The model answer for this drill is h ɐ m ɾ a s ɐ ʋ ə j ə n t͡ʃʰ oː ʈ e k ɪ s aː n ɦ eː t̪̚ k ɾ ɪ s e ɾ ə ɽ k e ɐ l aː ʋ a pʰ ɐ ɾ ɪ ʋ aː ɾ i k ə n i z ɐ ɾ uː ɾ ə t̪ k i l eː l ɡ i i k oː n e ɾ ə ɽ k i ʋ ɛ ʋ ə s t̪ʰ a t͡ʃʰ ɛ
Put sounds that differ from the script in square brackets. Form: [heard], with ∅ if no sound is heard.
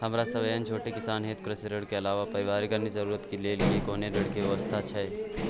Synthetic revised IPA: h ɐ m ɾ a s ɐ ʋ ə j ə n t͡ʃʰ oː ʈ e k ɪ s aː n ɦ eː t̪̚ k ɾ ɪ s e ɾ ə ɽ k e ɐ l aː ʋ a [p] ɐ ɾ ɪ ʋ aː ɾ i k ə n i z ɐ ɾ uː ɾ ə t̪ k i l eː l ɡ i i k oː n e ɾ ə ɽ k i ʋ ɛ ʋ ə s t̪ʰ a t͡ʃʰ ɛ

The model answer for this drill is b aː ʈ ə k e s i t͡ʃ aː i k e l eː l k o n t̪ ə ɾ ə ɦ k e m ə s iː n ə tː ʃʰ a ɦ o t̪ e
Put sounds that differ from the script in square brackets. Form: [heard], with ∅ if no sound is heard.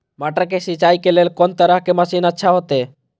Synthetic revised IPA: [m] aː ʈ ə k e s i t͡ʃ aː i k e l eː l k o n t̪ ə ɾ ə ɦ k e m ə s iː n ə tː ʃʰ a ɦ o t̪ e

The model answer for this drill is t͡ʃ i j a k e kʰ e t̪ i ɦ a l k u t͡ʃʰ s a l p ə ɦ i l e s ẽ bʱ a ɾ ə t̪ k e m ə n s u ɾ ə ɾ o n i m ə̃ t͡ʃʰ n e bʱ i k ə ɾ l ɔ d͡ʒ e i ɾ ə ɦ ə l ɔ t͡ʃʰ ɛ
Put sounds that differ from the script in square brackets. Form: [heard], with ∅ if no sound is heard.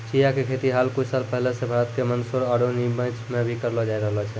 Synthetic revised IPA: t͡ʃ i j a k e kʰ e t̪ i ɦ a l k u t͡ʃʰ s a l p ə ɦ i l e s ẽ bʱ a ɾ ə t̪ k e m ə n s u ɾ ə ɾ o n i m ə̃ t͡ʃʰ [m] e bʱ i k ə ɾ l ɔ d͡ʒ [a] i ɾ ə ɦ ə l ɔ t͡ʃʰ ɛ

